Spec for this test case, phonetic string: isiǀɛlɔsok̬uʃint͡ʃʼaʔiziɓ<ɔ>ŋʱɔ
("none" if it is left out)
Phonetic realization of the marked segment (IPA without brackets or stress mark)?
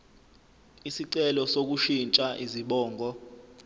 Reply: ɔː